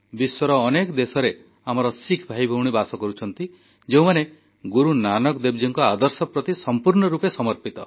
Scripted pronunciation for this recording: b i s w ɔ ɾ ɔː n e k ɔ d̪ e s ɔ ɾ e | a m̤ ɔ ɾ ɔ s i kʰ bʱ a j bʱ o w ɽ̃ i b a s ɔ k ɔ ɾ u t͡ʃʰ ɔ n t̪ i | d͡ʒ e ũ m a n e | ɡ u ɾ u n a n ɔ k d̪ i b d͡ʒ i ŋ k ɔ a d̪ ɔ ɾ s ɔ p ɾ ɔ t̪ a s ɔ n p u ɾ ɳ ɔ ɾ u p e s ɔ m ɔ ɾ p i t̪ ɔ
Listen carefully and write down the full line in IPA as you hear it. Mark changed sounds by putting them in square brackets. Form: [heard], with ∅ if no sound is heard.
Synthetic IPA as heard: b i s w ɔ ɾ ɔː n e k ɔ d̪ e s ɔ ɾ e | a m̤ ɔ ɾ ɔ s i kʰ bʱ a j bʱ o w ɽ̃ i b a s ɔ k ɔ ɾ u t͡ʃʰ ɔ n t̪ i | d͡ʒ e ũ m a n e | ɡ u ɾ u n a n ɔ k d̪ [e] b d͡ʒ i ŋ k ɔ a d̪ ɔ ɾ s ɔ p ɾ ɔ t̪ [i] s ɔ [m] p u ɾ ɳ ɔ ɾ u p e s ɔ m ɔ ɾ p i t̪ ɔ